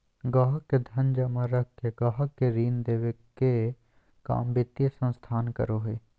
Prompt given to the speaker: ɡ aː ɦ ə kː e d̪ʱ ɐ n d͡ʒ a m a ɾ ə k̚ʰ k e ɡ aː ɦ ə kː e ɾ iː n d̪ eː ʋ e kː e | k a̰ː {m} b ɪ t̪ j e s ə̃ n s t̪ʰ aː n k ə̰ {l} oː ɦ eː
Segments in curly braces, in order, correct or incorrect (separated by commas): correct, incorrect